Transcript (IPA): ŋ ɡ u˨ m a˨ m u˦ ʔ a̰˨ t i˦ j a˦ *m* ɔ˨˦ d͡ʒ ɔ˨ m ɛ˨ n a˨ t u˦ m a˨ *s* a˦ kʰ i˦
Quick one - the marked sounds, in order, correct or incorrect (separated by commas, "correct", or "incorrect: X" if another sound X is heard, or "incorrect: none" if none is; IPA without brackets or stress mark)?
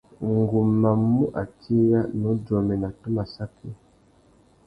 incorrect: n, correct